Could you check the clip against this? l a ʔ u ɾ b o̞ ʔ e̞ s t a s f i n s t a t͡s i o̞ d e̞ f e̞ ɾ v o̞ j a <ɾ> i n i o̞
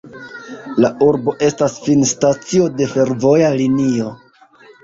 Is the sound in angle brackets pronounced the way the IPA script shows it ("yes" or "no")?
no